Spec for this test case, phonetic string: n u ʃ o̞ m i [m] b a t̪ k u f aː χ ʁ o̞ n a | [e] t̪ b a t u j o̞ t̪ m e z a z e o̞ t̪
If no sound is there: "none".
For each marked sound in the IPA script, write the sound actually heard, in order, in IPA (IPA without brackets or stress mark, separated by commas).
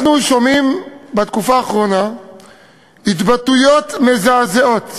m, i